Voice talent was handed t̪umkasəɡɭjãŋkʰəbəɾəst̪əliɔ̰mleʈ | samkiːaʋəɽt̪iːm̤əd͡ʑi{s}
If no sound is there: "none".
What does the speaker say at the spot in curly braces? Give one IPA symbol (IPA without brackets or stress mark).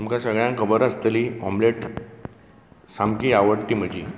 none